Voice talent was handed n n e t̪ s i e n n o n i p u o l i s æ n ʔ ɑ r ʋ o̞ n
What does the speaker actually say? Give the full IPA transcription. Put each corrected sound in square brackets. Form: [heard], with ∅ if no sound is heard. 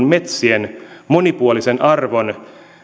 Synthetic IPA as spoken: n [m] e t̪ s i e n [m] o n i p u o l i s [e] n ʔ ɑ r ʋ o̞ n